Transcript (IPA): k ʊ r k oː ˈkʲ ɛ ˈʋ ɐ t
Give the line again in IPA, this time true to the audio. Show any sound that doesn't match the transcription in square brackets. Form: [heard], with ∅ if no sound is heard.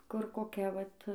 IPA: k ʊ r k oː ˈkʲ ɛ ˈʋ ɐ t

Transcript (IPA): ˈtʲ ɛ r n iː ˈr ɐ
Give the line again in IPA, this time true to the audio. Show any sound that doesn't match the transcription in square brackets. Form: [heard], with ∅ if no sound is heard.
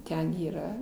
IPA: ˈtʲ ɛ [∅] n iː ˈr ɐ

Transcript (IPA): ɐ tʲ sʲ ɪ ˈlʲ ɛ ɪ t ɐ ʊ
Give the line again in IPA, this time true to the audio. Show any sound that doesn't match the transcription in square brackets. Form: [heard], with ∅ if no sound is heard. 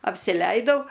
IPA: ɐ [pʲ] sʲ ɪ ˈlʲ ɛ ɪ [d] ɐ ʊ

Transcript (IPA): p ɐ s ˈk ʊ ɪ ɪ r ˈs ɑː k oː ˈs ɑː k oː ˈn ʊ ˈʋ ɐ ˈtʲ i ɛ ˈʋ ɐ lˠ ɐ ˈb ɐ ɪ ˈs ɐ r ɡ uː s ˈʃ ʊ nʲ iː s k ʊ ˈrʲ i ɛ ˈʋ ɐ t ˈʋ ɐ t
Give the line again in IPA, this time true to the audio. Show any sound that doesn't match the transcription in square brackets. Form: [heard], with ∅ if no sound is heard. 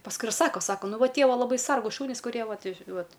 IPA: p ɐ s ˈk ʊ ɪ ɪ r ˈs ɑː k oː ˈs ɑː k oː ˈn ʊ ˈʋ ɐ ˈtʲ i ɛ ˈʋ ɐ lˠ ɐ ˈb ɐ ɪ ˈs ɐ r ɡ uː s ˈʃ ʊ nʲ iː s k ʊ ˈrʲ i ɛ ˈʋ ɐ t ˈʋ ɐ t

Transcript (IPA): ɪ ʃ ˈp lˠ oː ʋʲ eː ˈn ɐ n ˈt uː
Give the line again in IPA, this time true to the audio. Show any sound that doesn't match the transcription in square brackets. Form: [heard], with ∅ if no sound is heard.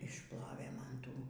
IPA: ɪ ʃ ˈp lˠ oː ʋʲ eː [ˈm] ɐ n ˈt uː

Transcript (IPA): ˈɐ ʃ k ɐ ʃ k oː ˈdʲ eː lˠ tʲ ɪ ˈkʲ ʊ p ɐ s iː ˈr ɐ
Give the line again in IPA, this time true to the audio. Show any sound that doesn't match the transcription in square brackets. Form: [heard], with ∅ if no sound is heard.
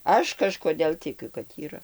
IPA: ˈɐ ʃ k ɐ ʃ k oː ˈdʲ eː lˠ tʲ ɪ ˈkʲ ʊ [k] ɐ [t] iː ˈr ɐ

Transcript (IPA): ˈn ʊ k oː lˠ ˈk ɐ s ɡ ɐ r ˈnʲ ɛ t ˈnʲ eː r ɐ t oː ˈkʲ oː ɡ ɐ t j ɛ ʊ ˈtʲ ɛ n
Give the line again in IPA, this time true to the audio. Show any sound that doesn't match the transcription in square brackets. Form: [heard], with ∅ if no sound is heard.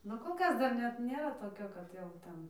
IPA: ˈn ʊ k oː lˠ ˈk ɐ s [d] ɐ r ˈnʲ ɛ t ˈnʲ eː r ɐ t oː ˈkʲ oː [k] ɐ t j ɛ ʊ ˈtʲ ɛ n

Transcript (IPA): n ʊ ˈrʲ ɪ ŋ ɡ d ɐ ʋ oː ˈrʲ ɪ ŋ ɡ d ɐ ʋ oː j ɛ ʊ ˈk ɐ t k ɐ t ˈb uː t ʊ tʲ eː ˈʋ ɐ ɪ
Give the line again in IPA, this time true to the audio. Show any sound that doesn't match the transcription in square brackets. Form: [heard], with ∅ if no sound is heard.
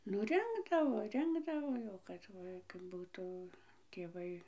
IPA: n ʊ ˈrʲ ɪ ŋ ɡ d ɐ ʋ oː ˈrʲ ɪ ŋ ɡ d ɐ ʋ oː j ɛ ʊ ˈk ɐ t k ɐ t ˈb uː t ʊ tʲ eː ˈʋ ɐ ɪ

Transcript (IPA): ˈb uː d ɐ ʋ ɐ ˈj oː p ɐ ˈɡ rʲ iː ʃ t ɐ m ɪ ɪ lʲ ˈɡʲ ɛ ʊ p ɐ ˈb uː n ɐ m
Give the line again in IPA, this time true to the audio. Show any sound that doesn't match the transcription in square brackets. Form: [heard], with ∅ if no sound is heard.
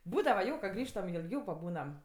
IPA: ˈb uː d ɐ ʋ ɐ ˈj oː [k] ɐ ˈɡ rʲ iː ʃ t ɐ m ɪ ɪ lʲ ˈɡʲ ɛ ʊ p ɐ ˈb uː n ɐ m

